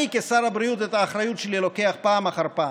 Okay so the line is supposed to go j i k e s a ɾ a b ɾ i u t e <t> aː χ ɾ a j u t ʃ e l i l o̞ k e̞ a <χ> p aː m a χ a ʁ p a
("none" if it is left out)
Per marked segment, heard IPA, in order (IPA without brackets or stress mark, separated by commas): t, χ